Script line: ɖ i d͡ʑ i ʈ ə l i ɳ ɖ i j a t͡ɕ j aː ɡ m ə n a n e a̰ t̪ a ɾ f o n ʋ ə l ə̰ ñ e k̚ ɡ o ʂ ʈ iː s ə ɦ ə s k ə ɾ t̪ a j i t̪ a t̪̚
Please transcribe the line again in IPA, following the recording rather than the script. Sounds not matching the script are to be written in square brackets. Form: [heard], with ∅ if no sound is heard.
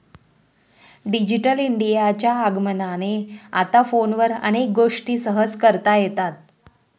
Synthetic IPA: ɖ i d͡ʑ i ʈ ə l i ɳ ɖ i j a t͡ɕ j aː ɡ m ə n a n e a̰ t̪ a [∅] f o n ʋ ə [ɾ] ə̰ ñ e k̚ ɡ o ʂ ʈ iː s ə ɦ ə s k ə ɾ t̪ a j [e] t̪ a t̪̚